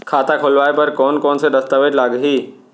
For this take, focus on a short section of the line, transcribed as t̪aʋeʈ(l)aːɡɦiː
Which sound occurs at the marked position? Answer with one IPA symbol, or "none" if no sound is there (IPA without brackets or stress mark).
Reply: l